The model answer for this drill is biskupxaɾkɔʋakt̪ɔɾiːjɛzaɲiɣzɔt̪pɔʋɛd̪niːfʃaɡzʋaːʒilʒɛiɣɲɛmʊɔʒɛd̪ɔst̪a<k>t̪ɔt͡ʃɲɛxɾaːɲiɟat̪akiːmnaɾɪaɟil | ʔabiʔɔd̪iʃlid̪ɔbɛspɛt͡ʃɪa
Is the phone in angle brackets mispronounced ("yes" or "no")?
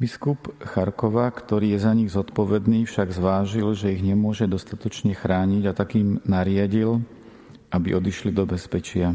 yes